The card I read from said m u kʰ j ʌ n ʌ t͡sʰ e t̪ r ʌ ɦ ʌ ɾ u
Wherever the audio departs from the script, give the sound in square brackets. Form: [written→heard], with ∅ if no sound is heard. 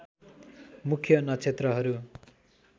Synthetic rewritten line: m u kʰ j ʌ n ʌ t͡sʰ e t̪ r ʌ ɦ ʌ ɾ u

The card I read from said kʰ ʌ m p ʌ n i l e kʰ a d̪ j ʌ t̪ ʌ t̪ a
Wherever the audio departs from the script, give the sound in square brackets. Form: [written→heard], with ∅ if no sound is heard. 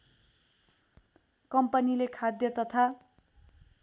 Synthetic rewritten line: [kʰ→k] ʌ m p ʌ n i l e kʰ a d̪ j ʌ t̪ ʌ [t̪→t̪ʰ] a

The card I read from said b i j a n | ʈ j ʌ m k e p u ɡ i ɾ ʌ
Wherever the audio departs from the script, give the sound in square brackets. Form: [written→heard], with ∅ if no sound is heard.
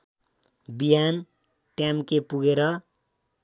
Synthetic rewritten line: b i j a n | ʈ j [ʌ→a] m k e p u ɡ [i→e] ɾ ʌ

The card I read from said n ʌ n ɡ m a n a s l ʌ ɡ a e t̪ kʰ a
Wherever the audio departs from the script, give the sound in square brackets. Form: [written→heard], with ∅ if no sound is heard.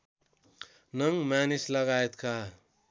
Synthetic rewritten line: n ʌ [n→ŋ] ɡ m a n [a→i] s l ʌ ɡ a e t̪ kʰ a

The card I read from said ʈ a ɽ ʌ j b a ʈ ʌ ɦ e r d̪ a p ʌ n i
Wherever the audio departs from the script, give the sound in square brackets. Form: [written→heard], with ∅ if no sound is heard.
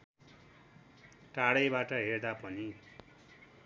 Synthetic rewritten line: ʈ a ɽ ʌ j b a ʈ ʌ ɦ e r d̪ a p ʌ n i

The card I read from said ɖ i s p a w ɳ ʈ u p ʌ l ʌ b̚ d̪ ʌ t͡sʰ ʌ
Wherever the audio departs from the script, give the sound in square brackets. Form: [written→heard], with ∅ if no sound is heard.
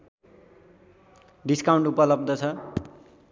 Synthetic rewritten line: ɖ i s [p→k] a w ɳ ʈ u p ʌ l ʌ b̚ d̪ ʌ t͡sʰ ʌ

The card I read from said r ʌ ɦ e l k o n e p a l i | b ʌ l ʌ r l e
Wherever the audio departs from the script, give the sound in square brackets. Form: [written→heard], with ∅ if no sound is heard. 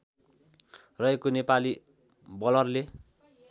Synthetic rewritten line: r ʌ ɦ e [l→∅] k o n e p a l i | b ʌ l ʌ r l e

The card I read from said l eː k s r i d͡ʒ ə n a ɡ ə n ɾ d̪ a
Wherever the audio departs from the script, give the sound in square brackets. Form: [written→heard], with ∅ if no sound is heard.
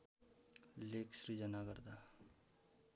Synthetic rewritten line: l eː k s [r→ɾ] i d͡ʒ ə n a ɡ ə [n→∅] ɾ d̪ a

